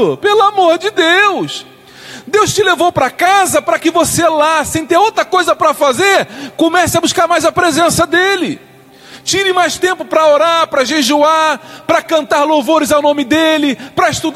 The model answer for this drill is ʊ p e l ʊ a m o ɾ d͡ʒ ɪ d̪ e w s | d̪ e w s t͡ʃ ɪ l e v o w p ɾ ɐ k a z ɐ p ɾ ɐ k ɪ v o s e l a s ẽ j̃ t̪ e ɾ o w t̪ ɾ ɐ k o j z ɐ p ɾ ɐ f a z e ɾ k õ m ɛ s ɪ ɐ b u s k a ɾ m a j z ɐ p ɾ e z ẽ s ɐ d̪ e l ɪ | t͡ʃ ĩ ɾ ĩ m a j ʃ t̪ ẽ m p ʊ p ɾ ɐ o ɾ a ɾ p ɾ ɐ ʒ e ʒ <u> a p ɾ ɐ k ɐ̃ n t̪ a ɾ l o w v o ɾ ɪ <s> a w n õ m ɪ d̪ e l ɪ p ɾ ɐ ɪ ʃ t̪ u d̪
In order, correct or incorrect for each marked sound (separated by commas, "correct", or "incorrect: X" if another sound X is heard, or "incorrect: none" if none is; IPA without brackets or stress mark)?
correct, incorrect: z